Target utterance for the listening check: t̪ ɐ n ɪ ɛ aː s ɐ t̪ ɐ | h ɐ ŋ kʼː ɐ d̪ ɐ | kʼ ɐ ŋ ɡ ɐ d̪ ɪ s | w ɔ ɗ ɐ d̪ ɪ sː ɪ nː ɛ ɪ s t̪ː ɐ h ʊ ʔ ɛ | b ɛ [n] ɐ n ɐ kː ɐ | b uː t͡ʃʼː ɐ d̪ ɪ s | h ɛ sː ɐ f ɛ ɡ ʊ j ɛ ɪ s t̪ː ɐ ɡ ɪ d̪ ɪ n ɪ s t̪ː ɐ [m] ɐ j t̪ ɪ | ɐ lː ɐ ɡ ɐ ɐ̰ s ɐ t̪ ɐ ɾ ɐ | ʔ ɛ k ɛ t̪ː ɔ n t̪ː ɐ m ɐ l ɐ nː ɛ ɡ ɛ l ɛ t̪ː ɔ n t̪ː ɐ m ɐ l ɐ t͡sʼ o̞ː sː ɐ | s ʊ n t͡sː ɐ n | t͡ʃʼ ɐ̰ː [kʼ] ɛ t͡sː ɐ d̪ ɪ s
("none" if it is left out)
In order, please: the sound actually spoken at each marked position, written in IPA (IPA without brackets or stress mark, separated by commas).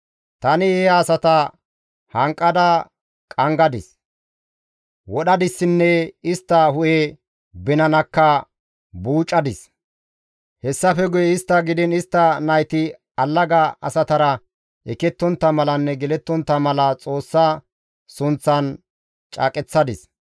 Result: n, n, kʼ